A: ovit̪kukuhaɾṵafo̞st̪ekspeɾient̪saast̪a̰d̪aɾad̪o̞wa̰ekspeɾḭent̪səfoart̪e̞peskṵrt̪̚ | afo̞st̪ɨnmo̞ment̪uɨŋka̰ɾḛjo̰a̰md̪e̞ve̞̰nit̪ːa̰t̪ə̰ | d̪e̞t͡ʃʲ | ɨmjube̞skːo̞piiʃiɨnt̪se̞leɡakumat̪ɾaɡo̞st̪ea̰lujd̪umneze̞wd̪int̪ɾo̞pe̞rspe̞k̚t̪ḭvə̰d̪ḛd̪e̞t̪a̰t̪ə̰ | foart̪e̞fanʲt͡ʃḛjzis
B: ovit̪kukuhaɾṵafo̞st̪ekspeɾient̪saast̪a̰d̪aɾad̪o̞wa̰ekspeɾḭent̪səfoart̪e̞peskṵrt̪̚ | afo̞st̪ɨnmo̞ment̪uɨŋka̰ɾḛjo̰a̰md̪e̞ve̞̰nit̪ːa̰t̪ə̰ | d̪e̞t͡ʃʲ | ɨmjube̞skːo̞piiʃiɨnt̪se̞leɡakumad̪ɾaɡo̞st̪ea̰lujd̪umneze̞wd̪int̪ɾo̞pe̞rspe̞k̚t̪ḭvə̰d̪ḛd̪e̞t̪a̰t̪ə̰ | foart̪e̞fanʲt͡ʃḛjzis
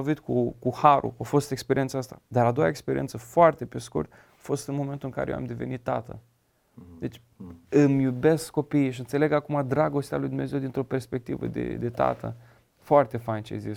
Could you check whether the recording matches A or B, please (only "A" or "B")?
B